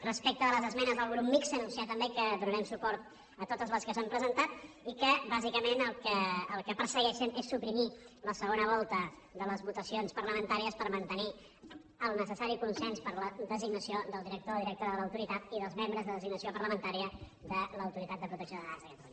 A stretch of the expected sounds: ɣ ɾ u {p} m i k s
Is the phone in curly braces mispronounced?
no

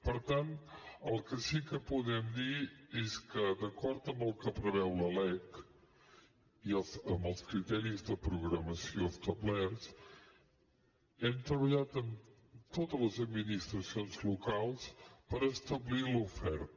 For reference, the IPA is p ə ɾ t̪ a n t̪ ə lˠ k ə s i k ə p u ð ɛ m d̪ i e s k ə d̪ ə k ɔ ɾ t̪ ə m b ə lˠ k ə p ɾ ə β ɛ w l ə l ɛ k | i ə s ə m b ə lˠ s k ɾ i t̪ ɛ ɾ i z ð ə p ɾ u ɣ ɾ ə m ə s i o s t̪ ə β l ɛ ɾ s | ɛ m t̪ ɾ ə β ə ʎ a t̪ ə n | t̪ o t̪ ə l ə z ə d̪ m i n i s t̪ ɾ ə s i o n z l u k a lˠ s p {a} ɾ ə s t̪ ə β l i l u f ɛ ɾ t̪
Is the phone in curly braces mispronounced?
yes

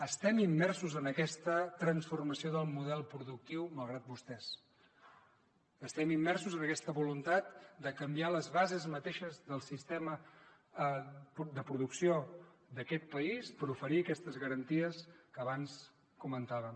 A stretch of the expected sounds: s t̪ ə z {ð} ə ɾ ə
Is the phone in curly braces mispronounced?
yes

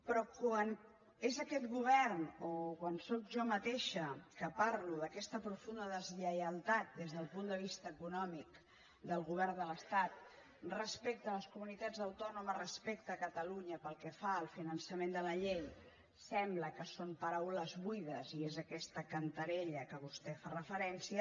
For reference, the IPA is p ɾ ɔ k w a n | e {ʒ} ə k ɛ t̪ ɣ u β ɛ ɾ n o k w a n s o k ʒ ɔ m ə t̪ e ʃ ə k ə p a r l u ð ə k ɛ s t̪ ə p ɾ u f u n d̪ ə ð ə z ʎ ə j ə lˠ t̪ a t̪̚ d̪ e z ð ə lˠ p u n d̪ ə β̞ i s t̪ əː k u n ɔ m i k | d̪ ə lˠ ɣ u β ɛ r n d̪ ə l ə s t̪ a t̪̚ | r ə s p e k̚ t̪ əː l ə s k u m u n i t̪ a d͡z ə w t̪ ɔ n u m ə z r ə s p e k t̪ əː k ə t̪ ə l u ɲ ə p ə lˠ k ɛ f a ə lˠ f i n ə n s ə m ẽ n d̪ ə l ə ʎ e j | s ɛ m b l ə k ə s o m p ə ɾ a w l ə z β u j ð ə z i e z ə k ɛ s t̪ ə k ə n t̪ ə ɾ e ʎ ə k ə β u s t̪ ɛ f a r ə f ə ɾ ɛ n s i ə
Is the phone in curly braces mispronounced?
yes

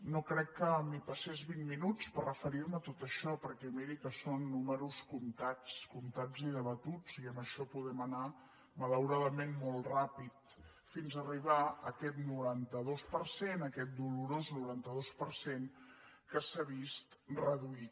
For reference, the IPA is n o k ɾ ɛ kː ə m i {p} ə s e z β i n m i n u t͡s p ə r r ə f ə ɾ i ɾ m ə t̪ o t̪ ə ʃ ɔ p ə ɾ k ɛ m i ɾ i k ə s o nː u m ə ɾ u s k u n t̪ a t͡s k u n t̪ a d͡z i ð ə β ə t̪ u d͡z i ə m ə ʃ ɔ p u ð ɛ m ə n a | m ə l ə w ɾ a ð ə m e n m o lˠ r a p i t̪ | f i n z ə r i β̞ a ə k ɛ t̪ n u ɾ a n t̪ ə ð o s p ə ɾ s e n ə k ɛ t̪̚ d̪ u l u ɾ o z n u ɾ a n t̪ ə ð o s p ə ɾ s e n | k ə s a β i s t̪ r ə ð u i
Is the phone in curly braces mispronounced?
no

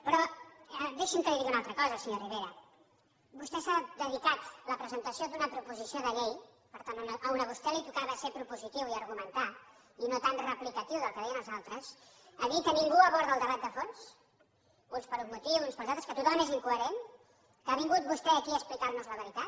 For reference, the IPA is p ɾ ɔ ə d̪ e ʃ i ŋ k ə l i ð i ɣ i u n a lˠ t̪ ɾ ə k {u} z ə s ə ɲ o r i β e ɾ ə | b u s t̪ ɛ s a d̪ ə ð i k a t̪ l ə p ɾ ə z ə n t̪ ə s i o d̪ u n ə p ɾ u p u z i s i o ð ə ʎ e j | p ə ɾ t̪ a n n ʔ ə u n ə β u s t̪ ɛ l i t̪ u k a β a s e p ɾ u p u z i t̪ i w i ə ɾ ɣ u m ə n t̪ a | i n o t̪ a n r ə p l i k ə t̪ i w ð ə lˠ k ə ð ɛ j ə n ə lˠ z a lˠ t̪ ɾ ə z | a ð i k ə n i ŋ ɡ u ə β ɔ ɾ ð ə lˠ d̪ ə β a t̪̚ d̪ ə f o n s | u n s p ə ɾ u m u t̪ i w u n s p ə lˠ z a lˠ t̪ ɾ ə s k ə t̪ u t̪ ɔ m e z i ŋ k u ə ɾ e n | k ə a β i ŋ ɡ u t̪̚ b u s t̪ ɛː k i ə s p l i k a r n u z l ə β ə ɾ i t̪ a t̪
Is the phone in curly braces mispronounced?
yes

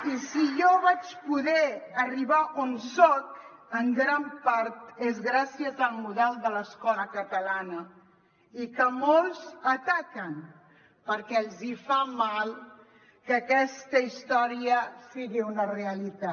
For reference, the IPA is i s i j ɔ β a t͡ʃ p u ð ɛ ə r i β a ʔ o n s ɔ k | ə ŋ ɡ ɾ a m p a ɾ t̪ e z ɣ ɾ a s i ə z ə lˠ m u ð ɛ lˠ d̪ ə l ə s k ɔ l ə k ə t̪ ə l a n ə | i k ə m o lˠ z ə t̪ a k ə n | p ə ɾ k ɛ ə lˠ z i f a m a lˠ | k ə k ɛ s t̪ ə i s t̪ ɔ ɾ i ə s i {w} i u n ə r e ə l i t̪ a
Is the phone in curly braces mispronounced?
yes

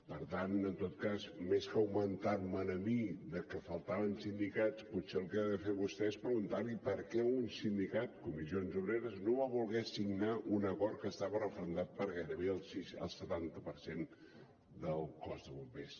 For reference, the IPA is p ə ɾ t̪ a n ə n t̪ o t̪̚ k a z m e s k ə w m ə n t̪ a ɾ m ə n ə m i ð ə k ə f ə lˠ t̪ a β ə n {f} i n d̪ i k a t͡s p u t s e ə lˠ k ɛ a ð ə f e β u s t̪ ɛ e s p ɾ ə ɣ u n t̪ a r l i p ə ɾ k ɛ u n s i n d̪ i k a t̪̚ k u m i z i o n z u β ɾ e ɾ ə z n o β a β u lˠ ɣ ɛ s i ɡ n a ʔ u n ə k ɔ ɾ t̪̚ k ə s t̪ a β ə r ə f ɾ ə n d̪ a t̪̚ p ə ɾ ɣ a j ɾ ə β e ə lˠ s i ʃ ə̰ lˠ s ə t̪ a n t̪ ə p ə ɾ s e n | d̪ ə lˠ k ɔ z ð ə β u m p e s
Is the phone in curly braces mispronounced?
yes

